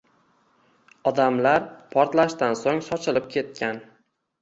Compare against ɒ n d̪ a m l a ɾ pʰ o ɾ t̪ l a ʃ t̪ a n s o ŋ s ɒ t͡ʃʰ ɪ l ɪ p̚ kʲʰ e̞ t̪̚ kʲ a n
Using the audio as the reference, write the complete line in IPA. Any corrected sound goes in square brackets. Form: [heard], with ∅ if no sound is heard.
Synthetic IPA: ɒ [∅] d̪ a m l a ɾ pʰ [ɒ] ɾ t̪ l a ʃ t̪ a n s o ŋ s ɒ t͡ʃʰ ɪ l ɪ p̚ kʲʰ e̞ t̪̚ kʲ a n